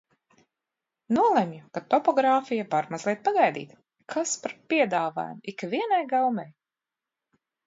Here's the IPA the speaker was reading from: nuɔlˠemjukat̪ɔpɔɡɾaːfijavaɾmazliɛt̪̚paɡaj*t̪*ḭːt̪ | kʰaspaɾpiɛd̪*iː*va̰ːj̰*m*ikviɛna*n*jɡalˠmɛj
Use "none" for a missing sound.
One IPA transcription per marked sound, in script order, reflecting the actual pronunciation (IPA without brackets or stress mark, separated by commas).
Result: d̪, aː, m, none